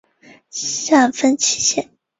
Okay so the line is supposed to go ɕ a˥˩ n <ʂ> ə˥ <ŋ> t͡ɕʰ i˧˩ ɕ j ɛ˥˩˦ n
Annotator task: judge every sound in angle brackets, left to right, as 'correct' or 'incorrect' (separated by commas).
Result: incorrect, incorrect